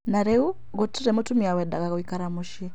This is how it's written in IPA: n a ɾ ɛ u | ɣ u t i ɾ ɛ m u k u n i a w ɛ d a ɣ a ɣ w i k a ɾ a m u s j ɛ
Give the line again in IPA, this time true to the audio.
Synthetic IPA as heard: n a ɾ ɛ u | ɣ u t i ɾ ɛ m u t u m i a w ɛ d a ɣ a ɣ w i k a ɾ a m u ʃ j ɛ